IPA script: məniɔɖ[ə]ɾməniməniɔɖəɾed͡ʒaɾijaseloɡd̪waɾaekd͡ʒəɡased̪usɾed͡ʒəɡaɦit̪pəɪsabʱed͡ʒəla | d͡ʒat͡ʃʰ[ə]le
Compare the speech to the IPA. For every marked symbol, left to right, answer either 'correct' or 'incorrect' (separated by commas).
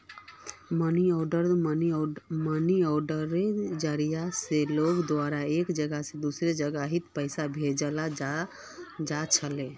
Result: correct, correct